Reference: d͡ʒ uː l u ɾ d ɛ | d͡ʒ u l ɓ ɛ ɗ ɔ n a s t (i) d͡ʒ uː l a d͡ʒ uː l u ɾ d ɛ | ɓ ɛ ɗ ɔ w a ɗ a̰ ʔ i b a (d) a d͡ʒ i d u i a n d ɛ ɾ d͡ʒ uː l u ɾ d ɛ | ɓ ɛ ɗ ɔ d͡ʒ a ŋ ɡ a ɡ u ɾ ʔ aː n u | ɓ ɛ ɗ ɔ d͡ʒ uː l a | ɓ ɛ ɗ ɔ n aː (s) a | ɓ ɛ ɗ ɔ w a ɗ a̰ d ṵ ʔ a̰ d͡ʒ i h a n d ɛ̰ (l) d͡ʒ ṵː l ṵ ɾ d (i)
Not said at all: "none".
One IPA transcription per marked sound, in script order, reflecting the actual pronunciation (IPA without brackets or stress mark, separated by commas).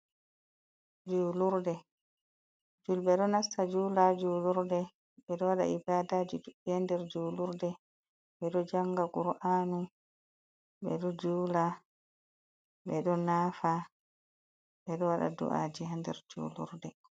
a, d, f, ɾ, ɛ